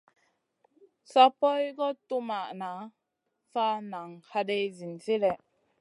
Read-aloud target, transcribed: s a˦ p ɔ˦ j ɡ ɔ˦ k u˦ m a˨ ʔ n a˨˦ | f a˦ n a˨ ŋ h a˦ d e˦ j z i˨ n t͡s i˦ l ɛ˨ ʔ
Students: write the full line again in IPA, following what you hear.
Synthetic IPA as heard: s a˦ p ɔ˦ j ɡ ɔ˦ t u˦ m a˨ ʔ n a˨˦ | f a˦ n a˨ ŋ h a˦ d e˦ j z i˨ n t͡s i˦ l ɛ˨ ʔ

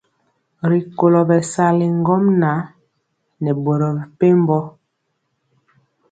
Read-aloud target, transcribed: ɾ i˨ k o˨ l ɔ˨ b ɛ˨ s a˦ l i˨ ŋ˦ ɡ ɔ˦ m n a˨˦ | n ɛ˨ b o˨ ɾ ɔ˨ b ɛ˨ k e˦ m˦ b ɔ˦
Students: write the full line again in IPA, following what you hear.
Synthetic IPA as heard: ɾ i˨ k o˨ l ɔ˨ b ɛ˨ s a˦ l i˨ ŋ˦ ɡ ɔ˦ m n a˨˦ | n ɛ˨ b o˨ ɾ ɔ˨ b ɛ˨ p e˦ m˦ b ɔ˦

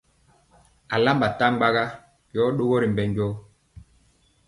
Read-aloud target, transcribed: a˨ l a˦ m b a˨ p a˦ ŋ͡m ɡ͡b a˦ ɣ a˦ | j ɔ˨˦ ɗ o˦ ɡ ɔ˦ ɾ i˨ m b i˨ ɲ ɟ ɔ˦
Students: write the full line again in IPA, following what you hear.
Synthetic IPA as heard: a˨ l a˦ m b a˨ t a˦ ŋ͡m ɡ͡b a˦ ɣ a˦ | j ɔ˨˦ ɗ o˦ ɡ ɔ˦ ɾ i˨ m b ɛ˨ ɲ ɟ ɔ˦

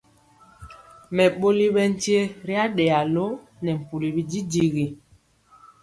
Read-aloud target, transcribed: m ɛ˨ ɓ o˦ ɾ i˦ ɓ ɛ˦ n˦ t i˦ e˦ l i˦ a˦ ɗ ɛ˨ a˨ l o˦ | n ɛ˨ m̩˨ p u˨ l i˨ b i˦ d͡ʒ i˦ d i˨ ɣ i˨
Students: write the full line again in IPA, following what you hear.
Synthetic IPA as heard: m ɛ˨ ɓ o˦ l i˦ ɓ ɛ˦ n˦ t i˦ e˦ ɾ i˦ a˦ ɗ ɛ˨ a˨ l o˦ | n ɛ˨ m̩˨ p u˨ l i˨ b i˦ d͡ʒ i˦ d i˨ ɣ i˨

